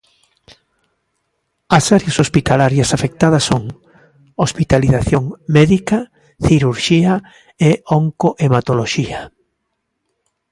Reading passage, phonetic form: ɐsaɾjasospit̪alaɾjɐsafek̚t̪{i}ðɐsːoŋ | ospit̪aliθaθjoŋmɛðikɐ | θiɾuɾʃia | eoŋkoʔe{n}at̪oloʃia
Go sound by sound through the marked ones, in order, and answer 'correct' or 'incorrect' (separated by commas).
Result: incorrect, incorrect